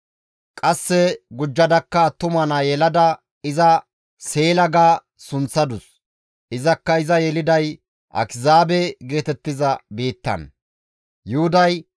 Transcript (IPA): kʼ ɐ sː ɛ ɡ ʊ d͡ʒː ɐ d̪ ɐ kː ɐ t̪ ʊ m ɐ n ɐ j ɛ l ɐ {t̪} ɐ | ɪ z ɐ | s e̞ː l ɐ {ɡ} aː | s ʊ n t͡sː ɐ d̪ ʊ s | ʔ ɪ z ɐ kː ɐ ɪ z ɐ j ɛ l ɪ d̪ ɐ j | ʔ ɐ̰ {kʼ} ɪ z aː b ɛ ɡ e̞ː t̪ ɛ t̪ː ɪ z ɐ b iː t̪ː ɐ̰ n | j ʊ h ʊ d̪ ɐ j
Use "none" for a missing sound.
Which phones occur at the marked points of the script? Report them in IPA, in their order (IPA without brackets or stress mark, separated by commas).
d̪, ɡ, k